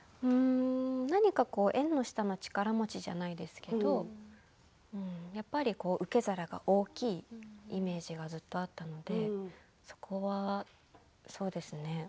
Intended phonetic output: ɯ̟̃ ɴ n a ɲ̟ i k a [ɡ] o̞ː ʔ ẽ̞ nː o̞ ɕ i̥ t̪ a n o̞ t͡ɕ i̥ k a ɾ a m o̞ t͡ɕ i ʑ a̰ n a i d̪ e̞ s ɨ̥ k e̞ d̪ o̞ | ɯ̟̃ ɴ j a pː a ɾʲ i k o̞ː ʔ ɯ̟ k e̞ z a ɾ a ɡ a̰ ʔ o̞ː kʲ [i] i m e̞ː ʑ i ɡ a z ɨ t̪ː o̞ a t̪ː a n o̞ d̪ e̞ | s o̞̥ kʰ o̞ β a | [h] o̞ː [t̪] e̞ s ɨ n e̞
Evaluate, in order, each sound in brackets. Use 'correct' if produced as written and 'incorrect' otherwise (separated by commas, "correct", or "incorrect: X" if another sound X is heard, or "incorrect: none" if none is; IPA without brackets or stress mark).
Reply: incorrect: k, incorrect: iː, incorrect: s, incorrect: d̪